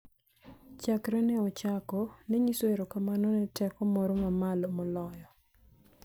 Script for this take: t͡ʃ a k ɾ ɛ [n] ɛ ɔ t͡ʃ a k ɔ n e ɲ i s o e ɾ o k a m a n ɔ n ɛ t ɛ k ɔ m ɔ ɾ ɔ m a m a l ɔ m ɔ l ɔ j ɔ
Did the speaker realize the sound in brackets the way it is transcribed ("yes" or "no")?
yes